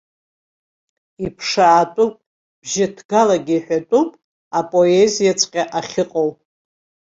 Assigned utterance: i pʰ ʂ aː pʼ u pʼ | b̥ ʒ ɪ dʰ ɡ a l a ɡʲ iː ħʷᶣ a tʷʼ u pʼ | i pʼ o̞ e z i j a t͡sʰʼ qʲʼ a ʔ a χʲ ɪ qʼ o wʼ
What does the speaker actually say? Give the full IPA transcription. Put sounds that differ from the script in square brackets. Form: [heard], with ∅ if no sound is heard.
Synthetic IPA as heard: i pʰ ʂ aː [tʼ] u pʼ | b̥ ʒ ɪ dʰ ɡ a l a ɡʲ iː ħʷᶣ a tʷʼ u pʼ | [a] pʼ o̞ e z i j a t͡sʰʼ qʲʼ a ʔ a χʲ ɪ qʼ o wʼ

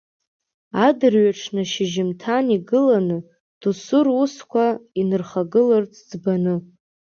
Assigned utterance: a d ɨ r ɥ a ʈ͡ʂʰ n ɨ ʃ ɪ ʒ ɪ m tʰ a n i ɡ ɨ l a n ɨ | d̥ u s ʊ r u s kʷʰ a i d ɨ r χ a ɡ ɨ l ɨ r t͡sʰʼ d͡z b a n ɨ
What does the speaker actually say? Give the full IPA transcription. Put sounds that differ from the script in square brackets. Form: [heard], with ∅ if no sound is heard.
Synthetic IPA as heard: a d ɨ r ɥ a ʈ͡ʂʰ n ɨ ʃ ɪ ʒ ɪ m tʰ a n i ɡ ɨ l a n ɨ | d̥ u s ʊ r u s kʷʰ a i [n] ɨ r χ a ɡ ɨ l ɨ r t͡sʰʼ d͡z b a n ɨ

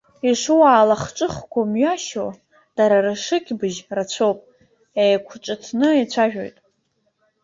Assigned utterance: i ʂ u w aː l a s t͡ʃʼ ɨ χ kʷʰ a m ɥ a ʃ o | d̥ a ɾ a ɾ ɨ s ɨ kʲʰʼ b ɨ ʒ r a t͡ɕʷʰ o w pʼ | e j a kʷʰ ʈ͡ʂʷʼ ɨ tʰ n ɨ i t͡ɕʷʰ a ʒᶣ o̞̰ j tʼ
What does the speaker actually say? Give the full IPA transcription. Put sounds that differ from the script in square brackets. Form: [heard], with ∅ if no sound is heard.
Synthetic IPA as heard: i ʂ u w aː l a [χ] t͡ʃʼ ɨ χ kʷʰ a m ɥ a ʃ o | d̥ a ɾ a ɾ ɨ [ʂ] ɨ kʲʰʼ b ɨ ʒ r a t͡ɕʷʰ o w pʼ | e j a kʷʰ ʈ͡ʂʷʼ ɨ tʰ n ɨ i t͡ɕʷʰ a ʒᶣ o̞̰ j tʼ

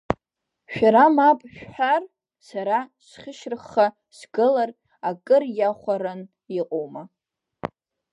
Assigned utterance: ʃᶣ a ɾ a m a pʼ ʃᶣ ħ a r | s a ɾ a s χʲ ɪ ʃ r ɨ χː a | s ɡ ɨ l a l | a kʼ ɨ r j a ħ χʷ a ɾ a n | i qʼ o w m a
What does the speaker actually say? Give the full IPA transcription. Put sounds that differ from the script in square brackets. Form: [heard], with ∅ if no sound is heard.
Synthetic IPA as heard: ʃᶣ a ɾ a m a pʼ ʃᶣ ħ a r | s a ɾ a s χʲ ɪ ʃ r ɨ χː a | s ɡ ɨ l a [r] | a kʼ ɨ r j a [∅] χʷ a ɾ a n | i qʼ o w m a

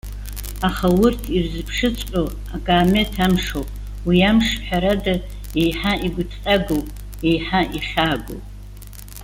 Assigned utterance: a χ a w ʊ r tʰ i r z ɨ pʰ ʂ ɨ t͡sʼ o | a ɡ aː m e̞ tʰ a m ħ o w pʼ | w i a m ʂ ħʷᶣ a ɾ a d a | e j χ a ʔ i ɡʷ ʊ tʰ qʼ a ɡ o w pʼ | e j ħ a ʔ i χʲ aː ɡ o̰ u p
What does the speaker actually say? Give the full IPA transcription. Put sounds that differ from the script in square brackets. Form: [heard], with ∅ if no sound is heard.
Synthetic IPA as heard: a χ a w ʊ r tʰ i r z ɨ pʰ ʂ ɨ t͡sʼ o | a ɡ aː m e̞ tʰ a m [ʂ] o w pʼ | w i a m ʂ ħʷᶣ a ɾ a d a | e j [ħ] a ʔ i ɡʷ ʊ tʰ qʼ a ɡ o w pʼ | e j ħ a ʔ i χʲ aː ɡ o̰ [w] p

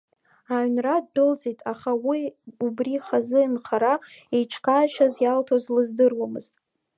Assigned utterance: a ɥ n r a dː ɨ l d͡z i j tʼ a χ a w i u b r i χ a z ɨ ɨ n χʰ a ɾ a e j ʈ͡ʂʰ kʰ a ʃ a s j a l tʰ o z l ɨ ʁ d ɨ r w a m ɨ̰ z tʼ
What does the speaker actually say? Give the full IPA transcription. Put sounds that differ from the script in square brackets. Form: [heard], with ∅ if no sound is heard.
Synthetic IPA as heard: a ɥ n r a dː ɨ l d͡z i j tʼ a χ a w i u b r i χ a z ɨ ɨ n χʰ a ɾ a e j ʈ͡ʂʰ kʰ a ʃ a [z] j a l tʰ o z l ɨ [z] d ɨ r w a m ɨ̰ z tʼ

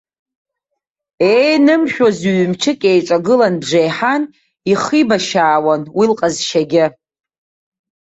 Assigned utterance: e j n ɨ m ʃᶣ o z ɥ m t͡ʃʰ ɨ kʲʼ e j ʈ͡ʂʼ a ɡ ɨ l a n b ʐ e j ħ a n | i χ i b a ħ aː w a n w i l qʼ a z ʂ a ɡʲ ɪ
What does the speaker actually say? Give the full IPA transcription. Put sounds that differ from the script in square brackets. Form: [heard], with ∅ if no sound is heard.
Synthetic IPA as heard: e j n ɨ m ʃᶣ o z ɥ m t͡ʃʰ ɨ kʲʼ e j ʈ͡ʂʼ a ɡ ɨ l a n b ʐ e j ħ a n | i χ i b a [ʃ] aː w a n w i l qʼ a z [ʃ] a ɡʲ ɪ

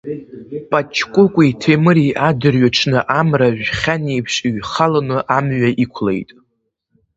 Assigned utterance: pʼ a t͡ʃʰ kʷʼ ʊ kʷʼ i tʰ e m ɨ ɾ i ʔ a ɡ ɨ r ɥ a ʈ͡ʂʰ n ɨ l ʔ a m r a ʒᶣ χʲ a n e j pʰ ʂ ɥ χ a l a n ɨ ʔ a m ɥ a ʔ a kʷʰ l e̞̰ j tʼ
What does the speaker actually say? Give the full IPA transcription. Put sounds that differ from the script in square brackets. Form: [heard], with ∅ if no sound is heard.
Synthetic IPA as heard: pʼ a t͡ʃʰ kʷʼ ʊ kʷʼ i tʰ e m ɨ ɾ i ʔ a [d] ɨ r ɥ a ʈ͡ʂʰ n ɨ [∅] ʔ a m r a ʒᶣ χʲ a n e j pʰ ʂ ɥ χ a l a n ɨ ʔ a m ɥ a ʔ [i] kʷʰ l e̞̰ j tʼ

